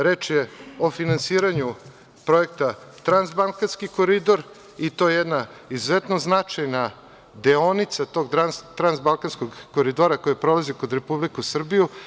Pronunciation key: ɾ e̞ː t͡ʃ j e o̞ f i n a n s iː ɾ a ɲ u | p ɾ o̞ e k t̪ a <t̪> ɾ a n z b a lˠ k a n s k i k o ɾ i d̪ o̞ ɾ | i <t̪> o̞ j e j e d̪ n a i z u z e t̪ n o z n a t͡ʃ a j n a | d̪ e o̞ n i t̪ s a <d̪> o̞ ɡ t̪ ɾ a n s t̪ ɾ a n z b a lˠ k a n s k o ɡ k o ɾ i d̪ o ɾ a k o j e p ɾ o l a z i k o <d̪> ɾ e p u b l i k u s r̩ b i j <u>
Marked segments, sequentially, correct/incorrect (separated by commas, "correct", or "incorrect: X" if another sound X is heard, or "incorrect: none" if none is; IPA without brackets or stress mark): correct, correct, incorrect: t̪, correct, correct